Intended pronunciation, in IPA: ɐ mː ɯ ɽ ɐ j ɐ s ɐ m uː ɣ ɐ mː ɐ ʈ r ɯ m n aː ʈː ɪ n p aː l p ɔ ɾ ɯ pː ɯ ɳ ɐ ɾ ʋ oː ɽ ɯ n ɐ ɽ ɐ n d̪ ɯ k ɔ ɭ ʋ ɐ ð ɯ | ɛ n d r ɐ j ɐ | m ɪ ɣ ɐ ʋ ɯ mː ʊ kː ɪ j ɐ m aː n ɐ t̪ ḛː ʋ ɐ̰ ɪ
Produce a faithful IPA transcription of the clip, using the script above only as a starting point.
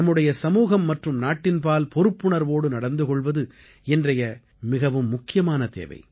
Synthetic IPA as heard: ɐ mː ɯ ɽ ɐ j ɐ s ɐ m uː ɣ ɐ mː ɐ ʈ r ɯ m n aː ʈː ɪ n p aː l p ɔ ɾ ɯ pː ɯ ɳ ɐ ɾ ʋ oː ɽ ɯ n ɐ ɽ ɐ n d̪ ɯ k ɔ ɭ ʋ ɐ ð ɯ | ɛ n d r ɐ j ɐ | m ɪ ɣ ɐ ʋ ɯ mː ʊ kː ɪ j ɐ m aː n ɐ t̪ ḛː ʋ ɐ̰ ɪ